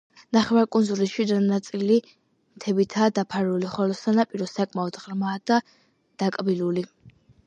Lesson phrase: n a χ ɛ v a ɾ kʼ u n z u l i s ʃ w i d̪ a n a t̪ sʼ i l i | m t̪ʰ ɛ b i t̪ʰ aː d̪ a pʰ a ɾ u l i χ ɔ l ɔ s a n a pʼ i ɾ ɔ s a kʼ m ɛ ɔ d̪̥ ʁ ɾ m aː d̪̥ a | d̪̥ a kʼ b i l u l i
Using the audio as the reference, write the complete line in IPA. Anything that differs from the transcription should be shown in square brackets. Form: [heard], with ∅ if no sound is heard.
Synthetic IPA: n a χ ɛ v a ɾ kʼ u n z u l i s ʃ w i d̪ a n a t̪ sʼ i l i | m t̪ʰ ɛ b i t̪ʰ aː d̪ a pʰ a ɾ u l i χ ɔ l ɔ s a n a pʼ i ɾ ɔ s a kʼ m [a] ɔ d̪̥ ʁ ɾ m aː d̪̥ a | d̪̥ a kʼ b i l u l i